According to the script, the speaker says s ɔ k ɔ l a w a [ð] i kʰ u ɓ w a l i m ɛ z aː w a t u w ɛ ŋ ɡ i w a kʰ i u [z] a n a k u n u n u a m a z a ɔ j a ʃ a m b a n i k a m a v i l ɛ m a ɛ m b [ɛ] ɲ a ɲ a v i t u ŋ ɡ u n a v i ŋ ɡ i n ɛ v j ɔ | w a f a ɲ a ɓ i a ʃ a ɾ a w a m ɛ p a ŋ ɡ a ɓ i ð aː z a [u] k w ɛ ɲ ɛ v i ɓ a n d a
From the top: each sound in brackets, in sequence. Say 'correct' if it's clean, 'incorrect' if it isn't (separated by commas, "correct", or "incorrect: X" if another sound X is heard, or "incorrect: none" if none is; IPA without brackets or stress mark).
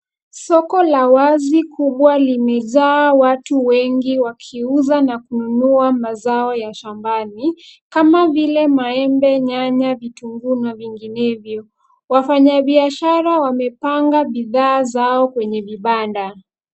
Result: incorrect: z, correct, correct, incorrect: ɔ